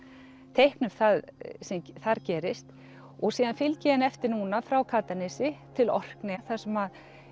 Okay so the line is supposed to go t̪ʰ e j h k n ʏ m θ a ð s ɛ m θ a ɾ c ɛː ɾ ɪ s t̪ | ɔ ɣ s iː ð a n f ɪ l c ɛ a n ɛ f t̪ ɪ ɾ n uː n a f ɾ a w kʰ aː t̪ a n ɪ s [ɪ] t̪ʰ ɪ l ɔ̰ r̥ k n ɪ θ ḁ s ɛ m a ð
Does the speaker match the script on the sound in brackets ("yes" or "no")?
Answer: yes